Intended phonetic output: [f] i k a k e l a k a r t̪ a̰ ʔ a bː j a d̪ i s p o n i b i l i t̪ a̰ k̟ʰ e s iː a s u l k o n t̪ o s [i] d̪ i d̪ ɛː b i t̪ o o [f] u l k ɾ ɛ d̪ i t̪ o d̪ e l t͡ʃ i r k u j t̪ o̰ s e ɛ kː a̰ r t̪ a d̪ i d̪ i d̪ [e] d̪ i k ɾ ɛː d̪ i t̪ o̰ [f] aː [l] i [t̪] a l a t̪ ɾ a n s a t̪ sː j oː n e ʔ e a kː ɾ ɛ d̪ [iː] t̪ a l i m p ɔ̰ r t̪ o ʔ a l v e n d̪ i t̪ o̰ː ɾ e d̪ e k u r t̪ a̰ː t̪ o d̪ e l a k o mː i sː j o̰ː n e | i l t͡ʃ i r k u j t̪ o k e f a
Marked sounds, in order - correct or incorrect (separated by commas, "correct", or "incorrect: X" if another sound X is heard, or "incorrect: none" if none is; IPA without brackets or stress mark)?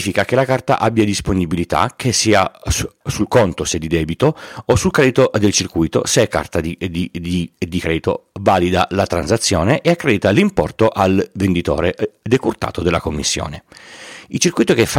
correct, incorrect: e, incorrect: s, incorrect: i, incorrect: v, correct, incorrect: d̪, incorrect: i